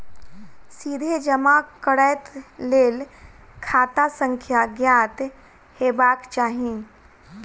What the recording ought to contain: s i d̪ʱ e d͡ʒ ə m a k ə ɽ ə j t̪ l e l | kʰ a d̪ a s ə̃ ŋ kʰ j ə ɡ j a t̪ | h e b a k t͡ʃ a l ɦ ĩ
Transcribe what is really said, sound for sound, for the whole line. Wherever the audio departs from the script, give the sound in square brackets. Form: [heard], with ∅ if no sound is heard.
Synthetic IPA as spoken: s i d̪ʱ e d͡ʒ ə m a k ə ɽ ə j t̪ l e l | kʰ a [t̪] a s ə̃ ŋ kʰ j [a] ɡ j a t̪ | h e b a k t͡ʃ a [∅] ɦ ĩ